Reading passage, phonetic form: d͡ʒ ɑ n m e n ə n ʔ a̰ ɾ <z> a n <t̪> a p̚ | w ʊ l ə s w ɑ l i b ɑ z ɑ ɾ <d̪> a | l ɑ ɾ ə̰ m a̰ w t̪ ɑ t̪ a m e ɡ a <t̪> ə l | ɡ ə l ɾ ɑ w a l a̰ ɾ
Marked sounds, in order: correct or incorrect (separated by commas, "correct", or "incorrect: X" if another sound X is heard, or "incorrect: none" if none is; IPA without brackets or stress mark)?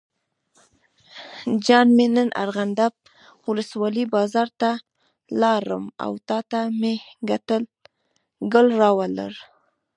incorrect: ɣ, incorrect: d̪, incorrect: t̪, correct